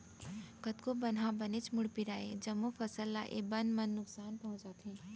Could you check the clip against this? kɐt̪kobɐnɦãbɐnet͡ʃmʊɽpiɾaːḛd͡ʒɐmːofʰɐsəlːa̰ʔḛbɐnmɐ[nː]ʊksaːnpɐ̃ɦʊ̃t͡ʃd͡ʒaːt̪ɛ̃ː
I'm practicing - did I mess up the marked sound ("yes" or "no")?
no